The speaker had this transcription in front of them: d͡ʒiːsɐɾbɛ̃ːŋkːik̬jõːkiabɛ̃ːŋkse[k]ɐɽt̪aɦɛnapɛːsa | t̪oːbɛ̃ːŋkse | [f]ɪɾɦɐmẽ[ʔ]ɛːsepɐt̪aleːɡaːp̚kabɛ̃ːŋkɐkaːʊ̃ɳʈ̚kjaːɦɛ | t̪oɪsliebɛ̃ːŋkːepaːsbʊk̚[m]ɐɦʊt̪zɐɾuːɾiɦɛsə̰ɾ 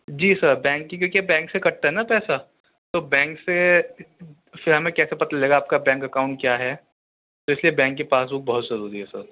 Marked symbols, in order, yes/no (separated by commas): yes, yes, no, no